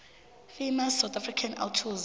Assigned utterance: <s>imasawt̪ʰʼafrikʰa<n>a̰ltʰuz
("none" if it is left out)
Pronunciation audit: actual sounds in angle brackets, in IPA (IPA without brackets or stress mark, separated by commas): f, n